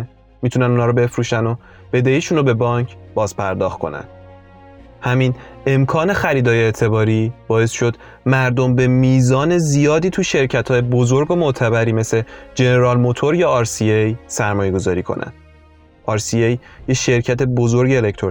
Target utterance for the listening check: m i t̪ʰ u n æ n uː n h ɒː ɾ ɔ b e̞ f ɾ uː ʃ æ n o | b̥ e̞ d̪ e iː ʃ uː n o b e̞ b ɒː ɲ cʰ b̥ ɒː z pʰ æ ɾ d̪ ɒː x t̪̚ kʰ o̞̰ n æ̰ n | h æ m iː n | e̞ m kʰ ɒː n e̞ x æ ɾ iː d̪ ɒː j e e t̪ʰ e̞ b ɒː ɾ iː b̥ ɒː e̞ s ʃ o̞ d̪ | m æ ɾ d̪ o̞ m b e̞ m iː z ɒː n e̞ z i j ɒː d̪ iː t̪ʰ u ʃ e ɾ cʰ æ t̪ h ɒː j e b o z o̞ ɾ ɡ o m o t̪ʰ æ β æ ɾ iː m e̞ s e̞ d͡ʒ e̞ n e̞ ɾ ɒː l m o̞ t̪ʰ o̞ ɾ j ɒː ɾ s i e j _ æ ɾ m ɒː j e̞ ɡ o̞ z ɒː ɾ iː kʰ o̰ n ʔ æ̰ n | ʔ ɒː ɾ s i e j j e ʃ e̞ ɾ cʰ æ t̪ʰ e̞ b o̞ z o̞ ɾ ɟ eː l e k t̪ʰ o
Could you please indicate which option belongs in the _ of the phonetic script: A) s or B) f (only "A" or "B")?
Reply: A